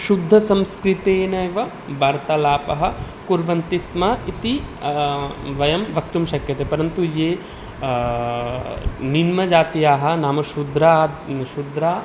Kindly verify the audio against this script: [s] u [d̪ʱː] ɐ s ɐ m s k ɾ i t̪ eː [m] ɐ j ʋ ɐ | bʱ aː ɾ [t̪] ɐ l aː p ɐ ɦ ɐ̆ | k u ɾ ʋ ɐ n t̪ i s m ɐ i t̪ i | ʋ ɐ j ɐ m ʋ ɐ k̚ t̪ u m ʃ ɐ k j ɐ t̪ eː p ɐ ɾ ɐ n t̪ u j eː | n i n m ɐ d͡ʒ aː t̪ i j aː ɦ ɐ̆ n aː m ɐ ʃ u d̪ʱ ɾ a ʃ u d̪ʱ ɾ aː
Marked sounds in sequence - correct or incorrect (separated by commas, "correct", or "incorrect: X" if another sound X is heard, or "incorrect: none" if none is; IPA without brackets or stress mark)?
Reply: incorrect: ʃ, correct, incorrect: n, correct